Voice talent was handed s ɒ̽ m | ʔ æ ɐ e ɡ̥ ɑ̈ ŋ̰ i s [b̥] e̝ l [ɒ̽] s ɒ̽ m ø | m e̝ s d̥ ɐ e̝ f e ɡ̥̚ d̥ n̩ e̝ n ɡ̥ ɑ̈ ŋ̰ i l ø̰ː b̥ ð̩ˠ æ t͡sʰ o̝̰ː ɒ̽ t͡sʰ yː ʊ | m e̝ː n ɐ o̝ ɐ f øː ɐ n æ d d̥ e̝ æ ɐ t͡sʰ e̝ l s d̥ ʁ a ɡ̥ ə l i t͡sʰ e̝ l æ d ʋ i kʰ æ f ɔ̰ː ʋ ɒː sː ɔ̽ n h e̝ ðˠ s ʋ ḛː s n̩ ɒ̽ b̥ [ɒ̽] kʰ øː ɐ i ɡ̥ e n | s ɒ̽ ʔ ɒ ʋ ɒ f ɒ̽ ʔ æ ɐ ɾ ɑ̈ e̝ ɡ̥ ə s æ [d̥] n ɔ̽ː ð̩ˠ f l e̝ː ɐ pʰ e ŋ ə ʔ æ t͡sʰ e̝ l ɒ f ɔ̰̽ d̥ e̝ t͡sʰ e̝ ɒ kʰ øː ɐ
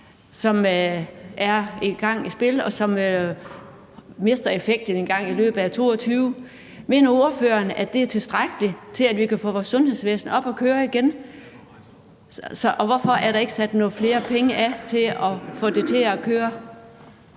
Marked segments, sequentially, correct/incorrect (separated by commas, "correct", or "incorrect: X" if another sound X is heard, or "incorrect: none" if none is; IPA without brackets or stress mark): correct, correct, correct, correct